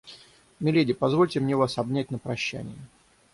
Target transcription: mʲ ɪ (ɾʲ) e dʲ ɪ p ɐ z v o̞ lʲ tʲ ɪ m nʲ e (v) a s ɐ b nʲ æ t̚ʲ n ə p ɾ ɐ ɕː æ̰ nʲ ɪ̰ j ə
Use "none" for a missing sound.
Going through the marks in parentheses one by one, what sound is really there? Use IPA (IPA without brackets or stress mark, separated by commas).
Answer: lʲ, v